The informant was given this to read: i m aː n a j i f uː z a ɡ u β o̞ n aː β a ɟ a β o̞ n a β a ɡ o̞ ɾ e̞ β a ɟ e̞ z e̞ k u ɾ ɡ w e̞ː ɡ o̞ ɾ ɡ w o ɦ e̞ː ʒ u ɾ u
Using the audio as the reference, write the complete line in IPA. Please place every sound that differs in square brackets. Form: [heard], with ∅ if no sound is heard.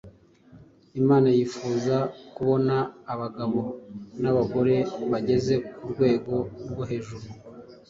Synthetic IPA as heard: i m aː n a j i f uː z a [k] u β o̞ n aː β a [ɡ] a β o̞ n a β a ɡ o̞ ɾ e̞ β a ɟ e̞ z e̞ k u ɾ ɡ w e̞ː ɡ o̞ ɾ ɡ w o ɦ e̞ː ʒ u ɾ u